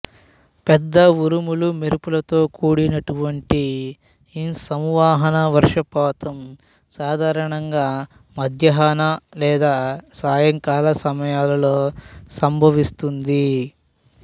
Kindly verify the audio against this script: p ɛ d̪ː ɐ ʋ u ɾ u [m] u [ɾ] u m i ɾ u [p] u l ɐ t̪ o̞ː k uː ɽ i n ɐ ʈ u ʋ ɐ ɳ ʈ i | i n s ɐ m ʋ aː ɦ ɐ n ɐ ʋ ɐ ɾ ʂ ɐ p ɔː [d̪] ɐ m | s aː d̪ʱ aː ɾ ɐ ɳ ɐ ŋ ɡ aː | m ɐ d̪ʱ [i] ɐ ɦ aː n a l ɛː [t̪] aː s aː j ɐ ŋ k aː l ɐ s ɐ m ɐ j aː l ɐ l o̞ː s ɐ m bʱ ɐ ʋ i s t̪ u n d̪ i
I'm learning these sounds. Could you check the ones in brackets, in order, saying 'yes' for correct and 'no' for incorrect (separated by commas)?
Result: yes, no, yes, no, no, no